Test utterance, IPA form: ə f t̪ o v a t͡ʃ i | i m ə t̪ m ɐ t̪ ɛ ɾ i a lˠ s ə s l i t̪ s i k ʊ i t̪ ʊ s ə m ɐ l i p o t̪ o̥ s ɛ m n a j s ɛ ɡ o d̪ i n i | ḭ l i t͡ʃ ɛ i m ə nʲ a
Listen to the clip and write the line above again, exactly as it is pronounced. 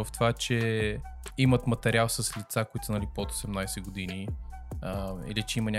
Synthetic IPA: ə f t̪ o v a t͡ʃ ɛ | i m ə t̪ m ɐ t̪ ɛ ɾ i a lˠ s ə s l i t̪ s a k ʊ i t̪ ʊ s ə n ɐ l i p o t̪ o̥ s ɛ m n a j s ɛ ɡ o d̪ i n i | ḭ l i t͡ʃ ɛ i m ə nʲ a